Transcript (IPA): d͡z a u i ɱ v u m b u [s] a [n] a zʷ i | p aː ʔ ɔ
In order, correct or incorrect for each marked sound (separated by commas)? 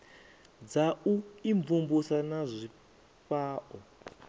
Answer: correct, correct